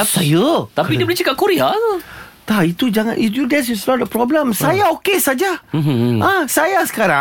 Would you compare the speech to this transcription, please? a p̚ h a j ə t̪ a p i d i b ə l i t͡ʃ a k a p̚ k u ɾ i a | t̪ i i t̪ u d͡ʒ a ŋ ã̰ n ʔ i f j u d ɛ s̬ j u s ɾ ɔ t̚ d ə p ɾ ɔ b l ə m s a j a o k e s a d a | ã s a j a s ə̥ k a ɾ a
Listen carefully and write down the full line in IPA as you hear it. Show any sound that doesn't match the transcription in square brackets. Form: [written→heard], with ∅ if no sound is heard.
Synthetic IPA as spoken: a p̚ [h→s] a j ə t̪ a p i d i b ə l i t͡ʃ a k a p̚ k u ɾ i a | t̪ [i→a] i t̪ u d͡ʒ a ŋ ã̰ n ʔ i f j u d ɛ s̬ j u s [ɾ→l] ɔ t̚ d ə p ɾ ɔ b l ə m s a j a o k e s a [d→d͡ʒ] a | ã s a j a s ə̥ k a ɾ a